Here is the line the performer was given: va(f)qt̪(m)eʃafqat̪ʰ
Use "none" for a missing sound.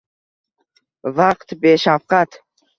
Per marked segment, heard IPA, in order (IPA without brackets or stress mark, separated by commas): none, b